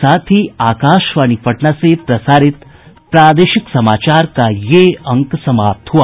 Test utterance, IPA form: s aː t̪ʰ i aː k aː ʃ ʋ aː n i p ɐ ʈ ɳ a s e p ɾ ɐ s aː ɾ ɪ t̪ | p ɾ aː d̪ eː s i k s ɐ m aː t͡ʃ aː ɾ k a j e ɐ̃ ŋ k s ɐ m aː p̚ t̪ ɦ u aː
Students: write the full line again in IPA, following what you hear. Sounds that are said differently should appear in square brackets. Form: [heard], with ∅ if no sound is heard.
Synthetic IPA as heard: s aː t̪ʰ i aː k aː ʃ ʋ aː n i p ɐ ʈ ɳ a s e p ɾ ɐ s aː ɾ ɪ t̪ | p ɾ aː d̪ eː [ʃ] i k s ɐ m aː t͡ʃ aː ɾ k a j e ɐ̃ ŋ k s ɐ m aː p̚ t̪ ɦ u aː